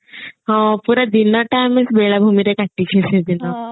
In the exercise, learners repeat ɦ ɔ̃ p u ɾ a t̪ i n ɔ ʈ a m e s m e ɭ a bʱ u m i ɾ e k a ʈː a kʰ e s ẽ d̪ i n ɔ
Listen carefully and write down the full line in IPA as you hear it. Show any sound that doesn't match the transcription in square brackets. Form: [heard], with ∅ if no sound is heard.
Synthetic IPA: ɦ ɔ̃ p u ɾ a [d̪] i n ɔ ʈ a m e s [b] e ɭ a bʱ u m i ɾ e k a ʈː [i] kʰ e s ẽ d̪ i n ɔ